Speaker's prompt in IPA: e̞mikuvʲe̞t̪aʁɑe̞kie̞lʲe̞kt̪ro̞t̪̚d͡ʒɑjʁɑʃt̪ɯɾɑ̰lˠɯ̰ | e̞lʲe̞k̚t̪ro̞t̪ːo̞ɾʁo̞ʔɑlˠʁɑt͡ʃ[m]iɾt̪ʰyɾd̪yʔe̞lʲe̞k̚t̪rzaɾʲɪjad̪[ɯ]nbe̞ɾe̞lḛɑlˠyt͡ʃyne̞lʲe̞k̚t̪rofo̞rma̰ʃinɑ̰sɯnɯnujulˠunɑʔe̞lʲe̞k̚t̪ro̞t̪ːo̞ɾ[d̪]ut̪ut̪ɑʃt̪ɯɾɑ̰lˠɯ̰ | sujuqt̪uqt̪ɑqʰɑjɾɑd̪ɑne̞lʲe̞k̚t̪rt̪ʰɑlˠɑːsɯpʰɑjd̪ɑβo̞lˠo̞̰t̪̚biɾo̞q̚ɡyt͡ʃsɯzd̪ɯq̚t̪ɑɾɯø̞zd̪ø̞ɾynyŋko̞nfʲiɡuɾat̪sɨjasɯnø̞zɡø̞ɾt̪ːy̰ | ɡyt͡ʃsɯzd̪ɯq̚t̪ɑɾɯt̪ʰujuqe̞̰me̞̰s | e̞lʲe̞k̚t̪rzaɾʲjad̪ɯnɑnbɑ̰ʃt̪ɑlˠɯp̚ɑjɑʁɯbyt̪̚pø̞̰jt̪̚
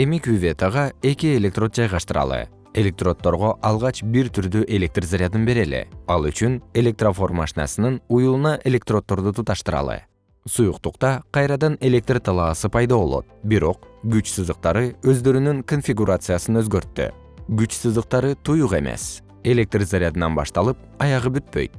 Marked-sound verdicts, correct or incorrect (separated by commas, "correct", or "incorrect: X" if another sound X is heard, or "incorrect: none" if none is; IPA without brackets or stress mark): incorrect: b, correct, correct